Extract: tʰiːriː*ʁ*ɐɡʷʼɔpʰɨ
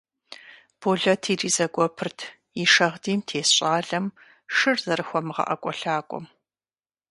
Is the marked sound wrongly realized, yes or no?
yes